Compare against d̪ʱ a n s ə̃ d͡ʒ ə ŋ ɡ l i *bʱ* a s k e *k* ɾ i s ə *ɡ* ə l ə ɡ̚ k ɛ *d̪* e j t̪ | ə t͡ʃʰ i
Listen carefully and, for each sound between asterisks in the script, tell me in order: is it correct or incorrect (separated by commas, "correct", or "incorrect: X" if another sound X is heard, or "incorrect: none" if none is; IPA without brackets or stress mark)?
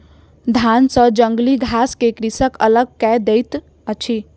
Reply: incorrect: ɡʱ, correct, incorrect: k, correct